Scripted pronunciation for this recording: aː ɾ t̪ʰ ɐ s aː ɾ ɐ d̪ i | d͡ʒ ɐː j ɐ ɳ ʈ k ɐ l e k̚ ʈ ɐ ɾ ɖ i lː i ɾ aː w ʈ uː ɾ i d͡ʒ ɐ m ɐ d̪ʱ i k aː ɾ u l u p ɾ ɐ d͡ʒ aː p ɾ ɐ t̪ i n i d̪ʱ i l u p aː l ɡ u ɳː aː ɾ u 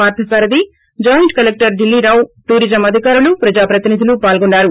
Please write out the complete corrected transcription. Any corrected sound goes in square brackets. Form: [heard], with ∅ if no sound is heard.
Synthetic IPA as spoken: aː ɾ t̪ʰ ɐ s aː ɾ ɐ d̪ i | d͡ʒ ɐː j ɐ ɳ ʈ k ɐ l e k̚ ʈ ɐ ɾ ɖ i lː i ɾ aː w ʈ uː ɾ i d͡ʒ ɐ m ɐ d̪ʱ i k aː ɾ u l u p ɾ ɐ d͡ʒ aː p ɾ ɐ t̪ i n i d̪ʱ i l u p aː l ɡ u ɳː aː ɾ u